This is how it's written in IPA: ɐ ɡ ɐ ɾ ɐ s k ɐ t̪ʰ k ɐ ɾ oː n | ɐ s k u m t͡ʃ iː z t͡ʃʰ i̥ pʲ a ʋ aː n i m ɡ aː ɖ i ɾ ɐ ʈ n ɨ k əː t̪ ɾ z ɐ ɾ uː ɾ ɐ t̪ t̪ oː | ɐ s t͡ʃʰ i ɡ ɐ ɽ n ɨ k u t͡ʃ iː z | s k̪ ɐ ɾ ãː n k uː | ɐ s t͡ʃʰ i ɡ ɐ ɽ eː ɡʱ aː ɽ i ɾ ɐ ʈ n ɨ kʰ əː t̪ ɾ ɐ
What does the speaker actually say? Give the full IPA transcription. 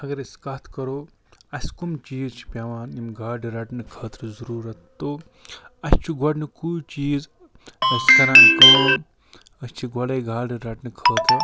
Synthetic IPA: ɐ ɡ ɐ ɾ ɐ s k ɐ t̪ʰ k ɐ ɾ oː | ɐ s k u m t͡ʃ iː z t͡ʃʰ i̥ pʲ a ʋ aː n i m ɡ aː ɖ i ɾ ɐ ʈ n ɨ kʰ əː t̪ ɾ z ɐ ɾ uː ɾ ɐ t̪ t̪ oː | ɐ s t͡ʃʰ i ɡ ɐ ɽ n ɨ k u t͡ʃ iː z | s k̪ ɐ ɾ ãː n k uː | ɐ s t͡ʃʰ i ɡ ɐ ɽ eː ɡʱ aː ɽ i ɾ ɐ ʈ n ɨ kʰ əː t̪ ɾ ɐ

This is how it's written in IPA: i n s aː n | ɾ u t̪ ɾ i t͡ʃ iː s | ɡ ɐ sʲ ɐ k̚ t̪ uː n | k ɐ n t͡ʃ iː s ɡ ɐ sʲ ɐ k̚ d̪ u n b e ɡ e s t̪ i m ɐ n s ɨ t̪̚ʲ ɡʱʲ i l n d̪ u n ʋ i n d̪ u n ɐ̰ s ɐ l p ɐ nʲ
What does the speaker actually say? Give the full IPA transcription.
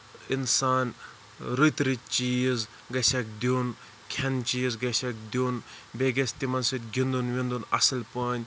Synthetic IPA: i n s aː n | ɾ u t̪ ɾ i t͡ʃ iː z | ɡ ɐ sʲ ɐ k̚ d̪ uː n | kʰ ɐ n t͡ʃ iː z ɡ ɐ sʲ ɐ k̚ d̪ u n b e ɡ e s t̪ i m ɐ n s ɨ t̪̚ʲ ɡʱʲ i n d̪ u n ʋ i n d̪ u n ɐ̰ s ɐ l p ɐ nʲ

